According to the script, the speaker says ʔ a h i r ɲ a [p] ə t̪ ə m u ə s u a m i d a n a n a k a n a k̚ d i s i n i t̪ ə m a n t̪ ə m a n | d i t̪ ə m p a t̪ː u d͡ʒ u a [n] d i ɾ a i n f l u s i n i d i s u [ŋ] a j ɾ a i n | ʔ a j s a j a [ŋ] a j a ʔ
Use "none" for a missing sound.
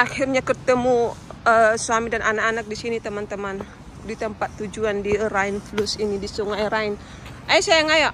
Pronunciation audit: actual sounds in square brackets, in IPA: k, n, ŋ, ŋ

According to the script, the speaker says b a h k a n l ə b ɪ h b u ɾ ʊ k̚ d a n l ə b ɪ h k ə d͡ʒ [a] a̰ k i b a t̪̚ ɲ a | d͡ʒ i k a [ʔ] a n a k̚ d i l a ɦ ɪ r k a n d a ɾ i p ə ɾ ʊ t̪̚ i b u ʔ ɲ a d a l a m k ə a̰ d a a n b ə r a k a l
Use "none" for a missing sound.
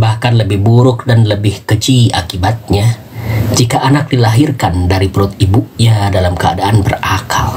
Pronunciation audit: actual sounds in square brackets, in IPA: i, ʔ

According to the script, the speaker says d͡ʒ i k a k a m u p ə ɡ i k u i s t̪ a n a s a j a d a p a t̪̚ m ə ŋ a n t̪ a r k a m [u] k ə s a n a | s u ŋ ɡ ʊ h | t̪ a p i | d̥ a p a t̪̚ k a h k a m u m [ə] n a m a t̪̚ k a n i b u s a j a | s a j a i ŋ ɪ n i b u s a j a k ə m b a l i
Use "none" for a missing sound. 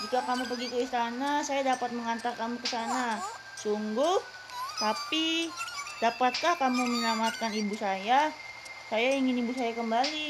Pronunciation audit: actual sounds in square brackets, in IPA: u, ə

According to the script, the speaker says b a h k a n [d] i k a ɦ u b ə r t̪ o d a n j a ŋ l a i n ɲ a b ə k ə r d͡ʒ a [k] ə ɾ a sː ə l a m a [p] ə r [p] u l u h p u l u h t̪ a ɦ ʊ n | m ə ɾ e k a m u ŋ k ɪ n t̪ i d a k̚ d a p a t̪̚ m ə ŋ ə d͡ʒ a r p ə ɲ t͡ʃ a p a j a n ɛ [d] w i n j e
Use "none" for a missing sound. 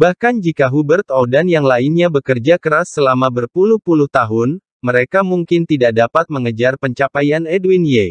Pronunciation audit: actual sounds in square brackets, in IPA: d͡ʒ, k, b, p, d

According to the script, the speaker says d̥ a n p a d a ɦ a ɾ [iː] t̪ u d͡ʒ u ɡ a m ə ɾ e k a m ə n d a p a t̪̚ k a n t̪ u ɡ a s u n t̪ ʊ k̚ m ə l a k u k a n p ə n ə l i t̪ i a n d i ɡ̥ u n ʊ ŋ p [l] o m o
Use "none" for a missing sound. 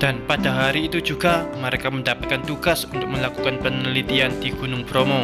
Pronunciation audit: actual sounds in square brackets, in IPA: iː, ɾ

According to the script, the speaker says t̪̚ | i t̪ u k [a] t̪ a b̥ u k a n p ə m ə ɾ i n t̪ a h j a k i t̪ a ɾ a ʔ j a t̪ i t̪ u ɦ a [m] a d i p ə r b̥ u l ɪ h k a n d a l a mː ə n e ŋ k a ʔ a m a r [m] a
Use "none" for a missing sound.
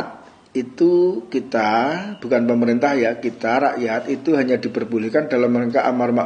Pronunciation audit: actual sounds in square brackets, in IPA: i, ɲ, m

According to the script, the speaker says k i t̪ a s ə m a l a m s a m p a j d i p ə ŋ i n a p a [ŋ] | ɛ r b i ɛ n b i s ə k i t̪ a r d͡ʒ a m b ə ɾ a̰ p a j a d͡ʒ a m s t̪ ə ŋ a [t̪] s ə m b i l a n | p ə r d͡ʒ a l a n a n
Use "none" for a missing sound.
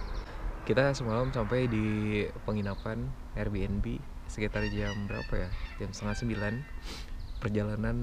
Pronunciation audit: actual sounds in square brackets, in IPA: n, t̪

